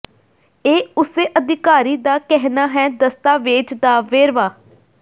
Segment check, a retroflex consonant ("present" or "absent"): absent